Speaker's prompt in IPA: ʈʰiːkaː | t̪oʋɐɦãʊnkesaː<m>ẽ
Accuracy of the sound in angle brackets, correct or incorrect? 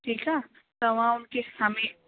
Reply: correct